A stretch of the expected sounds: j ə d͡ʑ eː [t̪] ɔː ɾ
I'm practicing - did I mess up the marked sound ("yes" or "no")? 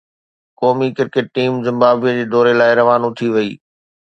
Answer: yes